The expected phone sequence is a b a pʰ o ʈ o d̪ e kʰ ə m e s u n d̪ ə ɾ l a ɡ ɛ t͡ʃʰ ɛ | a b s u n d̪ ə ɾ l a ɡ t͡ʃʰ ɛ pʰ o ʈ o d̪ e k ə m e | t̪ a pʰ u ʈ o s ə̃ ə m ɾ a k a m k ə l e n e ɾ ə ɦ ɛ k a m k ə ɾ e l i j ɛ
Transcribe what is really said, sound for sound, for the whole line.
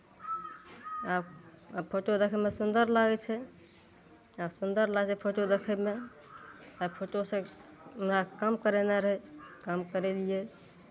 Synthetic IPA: a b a pʰ o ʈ o d̪ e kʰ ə m e s u n d̪ ə ɾ l a ɡ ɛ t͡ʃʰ ɛ | a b s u n d̪ ə ɾ l a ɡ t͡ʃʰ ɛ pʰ o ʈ o d̪ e kʰ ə m e | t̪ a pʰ o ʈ o s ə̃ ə m ɾ a k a m k ə ɾ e n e ɾ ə ɦ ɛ k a m k ə ɾ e l i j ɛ